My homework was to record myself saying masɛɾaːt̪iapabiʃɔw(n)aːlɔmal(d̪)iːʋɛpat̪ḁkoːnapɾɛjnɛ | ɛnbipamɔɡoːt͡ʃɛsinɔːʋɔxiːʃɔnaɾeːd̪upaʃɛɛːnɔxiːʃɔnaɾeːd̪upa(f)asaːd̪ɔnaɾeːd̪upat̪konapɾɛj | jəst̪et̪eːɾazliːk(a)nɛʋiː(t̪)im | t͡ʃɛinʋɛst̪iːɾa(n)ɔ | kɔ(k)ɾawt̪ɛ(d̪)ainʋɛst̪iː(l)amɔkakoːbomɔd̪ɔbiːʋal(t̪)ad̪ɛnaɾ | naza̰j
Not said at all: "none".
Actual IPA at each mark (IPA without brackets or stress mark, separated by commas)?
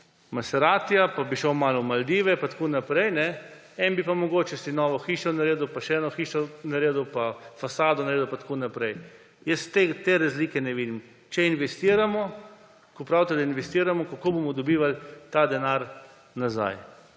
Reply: m, d̪, f, ɛ, d̪, m, p, d̪, ɾ, t̪